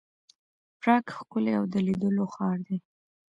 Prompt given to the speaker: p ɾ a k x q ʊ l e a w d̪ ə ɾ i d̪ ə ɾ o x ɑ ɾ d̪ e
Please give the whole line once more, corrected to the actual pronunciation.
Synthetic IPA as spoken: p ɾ ɑ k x k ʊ l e a w d̪ ə l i d̪ ə l o x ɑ ɾ d̪ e